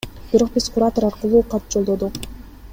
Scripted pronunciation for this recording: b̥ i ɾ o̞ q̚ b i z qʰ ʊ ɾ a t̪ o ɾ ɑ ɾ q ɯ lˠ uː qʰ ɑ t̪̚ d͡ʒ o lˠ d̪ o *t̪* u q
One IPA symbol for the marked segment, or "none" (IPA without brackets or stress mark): d̪